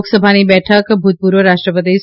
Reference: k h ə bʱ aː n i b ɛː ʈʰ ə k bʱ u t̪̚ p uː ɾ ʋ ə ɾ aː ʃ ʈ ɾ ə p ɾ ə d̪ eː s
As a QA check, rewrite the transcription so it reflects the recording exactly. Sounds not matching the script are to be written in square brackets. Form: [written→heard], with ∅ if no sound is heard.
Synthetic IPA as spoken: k [h→s] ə bʱ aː n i b ɛː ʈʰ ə k bʱ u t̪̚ p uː ɾ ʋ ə ɾ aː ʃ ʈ ɾ ə p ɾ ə d̪ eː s

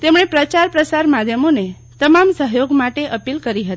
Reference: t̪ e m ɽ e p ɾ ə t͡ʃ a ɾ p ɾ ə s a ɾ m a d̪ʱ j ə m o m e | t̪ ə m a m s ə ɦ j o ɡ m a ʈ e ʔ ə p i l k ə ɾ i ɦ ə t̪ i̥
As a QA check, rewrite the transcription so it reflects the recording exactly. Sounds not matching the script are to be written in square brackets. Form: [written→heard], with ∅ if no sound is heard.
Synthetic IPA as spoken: t̪ e m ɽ e p ɾ ə t͡ʃ a ɾ p ɾ ə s a ɾ m a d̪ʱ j ə m o [m→n] e | t̪ ə m a m s ə ɦ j o ɡ m a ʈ e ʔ ə p i l k ə ɾ i ɦ ə t̪ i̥

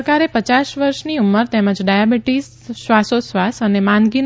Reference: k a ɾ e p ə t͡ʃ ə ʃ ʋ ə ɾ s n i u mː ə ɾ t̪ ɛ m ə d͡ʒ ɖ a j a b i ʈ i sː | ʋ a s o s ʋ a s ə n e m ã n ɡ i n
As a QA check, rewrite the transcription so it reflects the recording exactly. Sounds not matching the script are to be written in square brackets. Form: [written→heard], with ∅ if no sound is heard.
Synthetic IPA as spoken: k a ɾ e p ə t͡ʃ [ə→a] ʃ ʋ ə ɾ [s→ʃ] n i u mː ə ɾ t̪ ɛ m ə d͡ʒ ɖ a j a b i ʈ i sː | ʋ a s o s ʋ a s ə n e m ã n ɡ i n

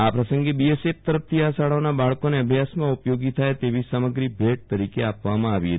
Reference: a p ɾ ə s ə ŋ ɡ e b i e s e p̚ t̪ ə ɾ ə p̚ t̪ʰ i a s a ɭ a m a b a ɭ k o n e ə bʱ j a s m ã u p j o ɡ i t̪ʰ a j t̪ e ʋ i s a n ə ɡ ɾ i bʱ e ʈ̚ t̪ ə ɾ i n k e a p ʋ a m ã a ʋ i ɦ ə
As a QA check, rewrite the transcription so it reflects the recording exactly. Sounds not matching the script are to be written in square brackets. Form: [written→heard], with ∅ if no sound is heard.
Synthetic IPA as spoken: a p ɾ ə s ə ŋ ɡ e b i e s e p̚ t̪ ə ɾ ə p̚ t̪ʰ i a s a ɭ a [m→n] a b a ɭ k o n e ə bʱ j a s m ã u p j o ɡ i t̪ʰ a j t̪ e ʋ i s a [n→m] ə ɡ ɾ i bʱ e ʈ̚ t̪ ə ɾ i [n→∅] k e a p ʋ a m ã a ʋ i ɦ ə

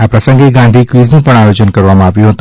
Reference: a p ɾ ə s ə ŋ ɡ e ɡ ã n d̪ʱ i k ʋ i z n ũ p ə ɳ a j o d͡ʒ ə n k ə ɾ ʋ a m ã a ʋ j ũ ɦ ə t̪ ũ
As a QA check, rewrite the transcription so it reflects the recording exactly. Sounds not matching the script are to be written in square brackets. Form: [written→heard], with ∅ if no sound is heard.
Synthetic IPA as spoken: a p ɾ ə s ə ŋ ɡ e ɡ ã n d̪ʱ i k ʋ i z n ũ p ə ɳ a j o d͡ʒ ə n k ə ɾ ʋ a m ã a ʋ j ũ ɦ ə t̪ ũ

